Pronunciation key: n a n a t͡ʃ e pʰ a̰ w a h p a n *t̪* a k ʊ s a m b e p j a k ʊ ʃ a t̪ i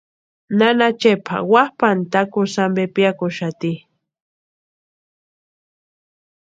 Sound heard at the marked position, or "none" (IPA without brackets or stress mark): t̪